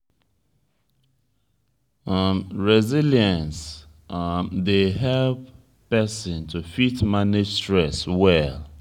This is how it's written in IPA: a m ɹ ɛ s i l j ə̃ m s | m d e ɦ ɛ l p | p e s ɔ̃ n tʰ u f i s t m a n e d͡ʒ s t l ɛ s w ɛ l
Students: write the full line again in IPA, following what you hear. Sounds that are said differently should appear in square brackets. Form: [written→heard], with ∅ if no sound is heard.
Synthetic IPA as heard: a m ɹ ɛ [s→z] i l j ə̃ [m→n] s | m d e ɦ ɛ l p | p [e→ɛ] s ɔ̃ n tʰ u f i [s→∅] t m a n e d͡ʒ s t [l→ɹ] ɛ s w ɛ l